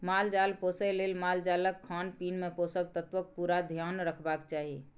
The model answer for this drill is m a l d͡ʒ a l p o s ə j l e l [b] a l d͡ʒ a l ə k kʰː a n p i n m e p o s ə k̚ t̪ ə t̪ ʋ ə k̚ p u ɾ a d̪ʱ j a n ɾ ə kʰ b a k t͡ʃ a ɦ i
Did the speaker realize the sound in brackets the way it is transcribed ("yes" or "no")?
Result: no